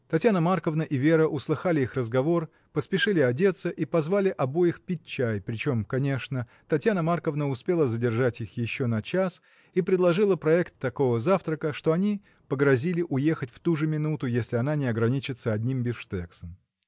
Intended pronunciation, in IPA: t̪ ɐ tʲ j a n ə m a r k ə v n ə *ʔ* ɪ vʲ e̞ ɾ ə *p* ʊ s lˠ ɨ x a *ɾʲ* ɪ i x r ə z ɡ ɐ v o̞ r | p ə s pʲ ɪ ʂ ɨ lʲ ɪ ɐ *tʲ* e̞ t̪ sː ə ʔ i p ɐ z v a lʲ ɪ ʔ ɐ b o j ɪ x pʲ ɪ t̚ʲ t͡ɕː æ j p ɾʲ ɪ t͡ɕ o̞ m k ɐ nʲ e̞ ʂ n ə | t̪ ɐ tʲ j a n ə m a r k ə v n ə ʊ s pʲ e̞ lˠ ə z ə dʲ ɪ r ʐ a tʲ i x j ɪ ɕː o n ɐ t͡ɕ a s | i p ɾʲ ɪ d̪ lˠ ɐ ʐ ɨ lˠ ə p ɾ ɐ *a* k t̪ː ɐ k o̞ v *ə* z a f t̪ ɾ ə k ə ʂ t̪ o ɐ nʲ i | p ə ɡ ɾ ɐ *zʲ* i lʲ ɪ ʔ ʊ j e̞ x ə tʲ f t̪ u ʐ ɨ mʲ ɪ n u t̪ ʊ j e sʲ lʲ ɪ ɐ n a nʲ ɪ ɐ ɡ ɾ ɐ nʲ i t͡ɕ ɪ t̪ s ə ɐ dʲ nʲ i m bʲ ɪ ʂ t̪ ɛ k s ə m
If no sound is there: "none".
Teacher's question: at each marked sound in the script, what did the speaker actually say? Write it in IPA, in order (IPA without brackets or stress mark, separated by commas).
ʔ, ʔ, lʲ, dʲ, ɛ, ə, zʲ